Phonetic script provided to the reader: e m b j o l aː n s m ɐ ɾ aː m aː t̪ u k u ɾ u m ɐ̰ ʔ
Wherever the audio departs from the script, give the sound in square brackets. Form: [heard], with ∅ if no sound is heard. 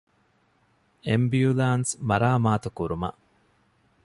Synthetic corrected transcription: e m b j [u] l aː n s m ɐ ɾ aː m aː t̪ u k u ɾ u m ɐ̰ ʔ